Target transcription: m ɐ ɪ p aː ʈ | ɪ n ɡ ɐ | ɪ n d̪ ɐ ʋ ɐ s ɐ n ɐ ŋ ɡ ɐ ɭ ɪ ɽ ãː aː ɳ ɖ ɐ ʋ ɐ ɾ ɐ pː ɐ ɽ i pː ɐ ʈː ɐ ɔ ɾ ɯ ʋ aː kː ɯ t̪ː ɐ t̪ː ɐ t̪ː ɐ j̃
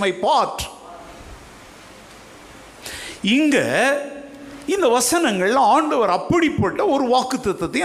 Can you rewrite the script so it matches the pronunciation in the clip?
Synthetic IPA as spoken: m ɐ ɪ p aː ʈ | ɪ ŋ ɡ ɐ | ɪ n d̪ ɐ ʋ ɐ s ɐ n ɐ ŋ ɡ ɐ ɭ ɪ l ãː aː ɳ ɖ ɐ ʋ ɐ ɾ ɐ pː ɐ ɽ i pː ɐ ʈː ɐ ɔ ɾ ɯ ʋ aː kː ɯ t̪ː ɐ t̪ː ɐ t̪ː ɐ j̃